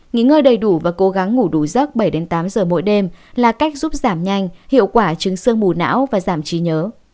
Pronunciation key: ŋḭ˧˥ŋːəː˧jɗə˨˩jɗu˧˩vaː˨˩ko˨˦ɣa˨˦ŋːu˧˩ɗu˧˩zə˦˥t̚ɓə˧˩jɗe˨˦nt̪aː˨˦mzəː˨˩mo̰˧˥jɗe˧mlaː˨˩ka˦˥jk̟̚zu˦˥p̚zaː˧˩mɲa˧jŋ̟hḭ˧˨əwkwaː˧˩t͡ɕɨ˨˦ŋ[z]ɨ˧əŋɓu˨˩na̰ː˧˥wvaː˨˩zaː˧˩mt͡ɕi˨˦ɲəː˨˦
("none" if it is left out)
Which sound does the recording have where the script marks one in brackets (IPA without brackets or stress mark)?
s